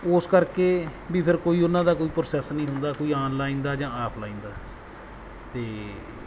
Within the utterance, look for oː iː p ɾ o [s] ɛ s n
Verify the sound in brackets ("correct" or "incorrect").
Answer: correct